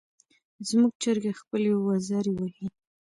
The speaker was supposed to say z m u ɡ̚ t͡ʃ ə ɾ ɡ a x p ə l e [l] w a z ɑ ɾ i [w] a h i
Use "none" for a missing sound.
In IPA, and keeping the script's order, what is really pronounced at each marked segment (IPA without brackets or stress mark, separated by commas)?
none, w